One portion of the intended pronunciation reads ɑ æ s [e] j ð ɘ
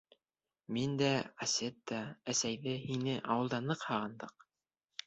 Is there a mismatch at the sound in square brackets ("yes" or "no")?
yes